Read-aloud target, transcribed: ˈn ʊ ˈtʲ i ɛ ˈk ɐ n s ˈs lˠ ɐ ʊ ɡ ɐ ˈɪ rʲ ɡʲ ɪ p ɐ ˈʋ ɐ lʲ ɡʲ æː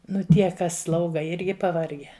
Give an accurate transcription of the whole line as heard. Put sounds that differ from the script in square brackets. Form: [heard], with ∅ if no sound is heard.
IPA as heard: ˈn ʊ ˈtʲ i ɛ ˈk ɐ [∅] s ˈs lˠ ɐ ʊ ɡ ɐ ˈɪ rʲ ɡʲ ɪ p ɐ ˈʋ ɐ [rʲ] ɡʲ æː